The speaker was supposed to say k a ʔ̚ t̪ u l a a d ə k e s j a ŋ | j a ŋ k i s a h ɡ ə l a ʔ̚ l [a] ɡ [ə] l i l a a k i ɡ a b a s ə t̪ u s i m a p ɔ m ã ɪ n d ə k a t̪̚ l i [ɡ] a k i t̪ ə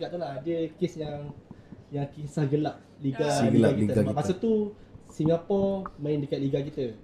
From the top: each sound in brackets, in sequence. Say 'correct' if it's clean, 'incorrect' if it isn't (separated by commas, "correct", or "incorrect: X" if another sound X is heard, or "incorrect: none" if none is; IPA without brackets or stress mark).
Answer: incorrect: i, incorrect: a, correct